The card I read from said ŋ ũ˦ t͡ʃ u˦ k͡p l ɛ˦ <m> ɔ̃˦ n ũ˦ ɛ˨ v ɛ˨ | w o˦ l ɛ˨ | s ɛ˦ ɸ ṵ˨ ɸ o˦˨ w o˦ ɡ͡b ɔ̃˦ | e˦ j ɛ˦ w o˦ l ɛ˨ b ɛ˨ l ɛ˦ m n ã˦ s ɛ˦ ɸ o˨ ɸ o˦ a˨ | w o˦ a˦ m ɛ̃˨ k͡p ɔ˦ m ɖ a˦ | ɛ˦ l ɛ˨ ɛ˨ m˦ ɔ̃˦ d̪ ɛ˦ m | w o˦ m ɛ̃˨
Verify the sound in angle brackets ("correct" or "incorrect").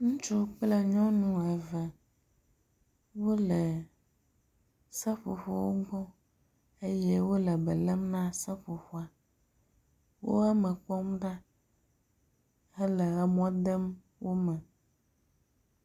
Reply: incorrect